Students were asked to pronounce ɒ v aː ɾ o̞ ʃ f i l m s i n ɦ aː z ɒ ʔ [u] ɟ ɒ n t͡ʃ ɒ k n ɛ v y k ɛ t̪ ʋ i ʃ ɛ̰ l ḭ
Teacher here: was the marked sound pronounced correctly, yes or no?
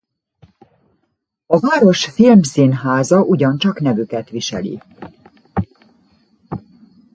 yes